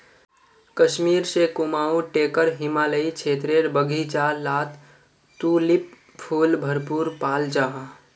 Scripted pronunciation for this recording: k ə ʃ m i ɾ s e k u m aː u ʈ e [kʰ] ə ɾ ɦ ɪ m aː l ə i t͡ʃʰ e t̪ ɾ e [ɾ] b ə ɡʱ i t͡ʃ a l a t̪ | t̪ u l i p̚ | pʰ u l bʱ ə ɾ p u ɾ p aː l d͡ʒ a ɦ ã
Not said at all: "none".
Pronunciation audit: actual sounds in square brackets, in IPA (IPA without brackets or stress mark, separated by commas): k, ɾ